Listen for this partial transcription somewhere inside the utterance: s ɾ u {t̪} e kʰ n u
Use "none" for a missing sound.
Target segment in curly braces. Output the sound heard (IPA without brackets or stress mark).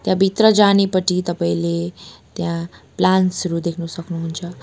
d̪